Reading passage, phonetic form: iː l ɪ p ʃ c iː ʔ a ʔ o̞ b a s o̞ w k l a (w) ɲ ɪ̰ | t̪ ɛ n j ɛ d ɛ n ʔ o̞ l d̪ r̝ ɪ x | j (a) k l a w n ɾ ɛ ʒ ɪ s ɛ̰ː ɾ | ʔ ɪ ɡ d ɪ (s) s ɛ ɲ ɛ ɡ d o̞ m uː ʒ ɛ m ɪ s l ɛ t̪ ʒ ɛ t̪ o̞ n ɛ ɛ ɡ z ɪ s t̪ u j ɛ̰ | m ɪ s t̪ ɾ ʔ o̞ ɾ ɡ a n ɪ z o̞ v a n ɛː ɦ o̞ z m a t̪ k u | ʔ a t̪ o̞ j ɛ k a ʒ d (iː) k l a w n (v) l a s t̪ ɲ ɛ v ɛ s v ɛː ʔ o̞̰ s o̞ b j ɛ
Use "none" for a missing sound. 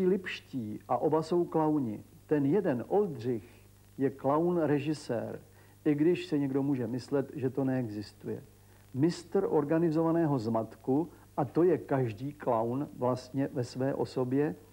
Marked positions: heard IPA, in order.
w, ɛ, ʃ, iː, v

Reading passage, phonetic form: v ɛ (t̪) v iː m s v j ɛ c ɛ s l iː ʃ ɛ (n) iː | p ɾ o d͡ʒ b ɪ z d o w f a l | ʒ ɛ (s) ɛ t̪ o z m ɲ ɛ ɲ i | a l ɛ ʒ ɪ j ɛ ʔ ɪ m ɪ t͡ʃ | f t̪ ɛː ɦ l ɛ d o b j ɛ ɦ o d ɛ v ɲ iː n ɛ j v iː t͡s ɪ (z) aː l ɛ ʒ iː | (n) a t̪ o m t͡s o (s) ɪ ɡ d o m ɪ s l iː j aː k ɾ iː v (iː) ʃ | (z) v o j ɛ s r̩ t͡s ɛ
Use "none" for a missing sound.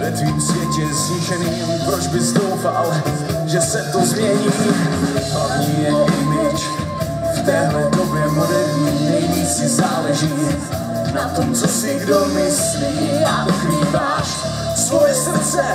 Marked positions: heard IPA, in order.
t̪, n, s, z, n, s, aː, s

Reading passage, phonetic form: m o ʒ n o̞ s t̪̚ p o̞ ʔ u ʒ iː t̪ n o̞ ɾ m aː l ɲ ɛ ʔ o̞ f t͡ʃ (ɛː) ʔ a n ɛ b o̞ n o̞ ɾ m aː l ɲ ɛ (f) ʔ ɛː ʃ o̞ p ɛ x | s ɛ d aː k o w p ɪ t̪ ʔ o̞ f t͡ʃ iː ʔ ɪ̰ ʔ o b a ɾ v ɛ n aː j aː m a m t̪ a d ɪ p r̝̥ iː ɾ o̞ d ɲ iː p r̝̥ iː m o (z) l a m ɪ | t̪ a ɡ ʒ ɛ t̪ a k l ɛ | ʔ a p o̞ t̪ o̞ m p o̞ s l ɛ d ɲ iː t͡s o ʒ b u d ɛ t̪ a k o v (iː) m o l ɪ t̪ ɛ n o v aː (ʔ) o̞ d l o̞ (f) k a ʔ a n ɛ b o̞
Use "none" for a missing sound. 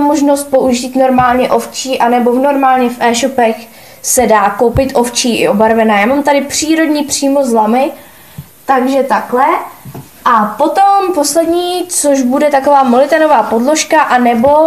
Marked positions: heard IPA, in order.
iː, f, z, aː, p, ʃ

